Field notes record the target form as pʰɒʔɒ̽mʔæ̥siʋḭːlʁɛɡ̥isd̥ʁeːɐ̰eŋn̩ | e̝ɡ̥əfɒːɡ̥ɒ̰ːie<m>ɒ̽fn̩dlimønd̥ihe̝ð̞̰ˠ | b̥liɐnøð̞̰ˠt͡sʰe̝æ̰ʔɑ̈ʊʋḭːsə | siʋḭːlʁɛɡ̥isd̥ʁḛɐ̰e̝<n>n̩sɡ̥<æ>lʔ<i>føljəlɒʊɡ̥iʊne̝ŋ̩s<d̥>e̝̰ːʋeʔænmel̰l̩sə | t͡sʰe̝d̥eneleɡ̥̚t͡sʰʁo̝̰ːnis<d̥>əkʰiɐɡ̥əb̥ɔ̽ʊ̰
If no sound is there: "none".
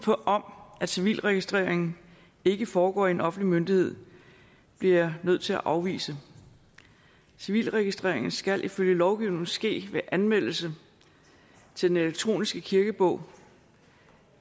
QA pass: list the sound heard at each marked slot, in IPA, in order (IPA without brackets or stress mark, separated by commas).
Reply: n, ŋ, æ, i, ɡ̥, ɡ̥